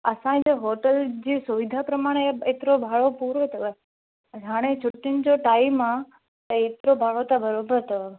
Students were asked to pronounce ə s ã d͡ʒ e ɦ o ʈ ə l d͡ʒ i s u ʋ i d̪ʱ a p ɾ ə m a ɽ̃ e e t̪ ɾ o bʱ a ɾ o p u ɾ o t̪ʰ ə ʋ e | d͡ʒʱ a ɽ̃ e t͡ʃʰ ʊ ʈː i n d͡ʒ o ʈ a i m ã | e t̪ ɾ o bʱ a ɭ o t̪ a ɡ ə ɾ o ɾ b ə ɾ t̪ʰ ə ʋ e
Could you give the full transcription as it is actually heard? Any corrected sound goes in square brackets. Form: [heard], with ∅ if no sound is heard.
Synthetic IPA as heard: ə s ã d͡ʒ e ɦ o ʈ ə l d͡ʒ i s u ʋ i d̪ʱ a p ɾ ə m a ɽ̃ e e t̪ ɾ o bʱ a [ɭ] o p u ɾ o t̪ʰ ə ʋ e | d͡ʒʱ a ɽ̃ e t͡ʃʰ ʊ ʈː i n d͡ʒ o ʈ a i m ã | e t̪ ɾ o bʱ a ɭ o t̪ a [b] ə ɾ o [∅] b ə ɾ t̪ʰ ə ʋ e